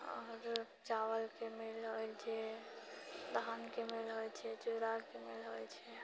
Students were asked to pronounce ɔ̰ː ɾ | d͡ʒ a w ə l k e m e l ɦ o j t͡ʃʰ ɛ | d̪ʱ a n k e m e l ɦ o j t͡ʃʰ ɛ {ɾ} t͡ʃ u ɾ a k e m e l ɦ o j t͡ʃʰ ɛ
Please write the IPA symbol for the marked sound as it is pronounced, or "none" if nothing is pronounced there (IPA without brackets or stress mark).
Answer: none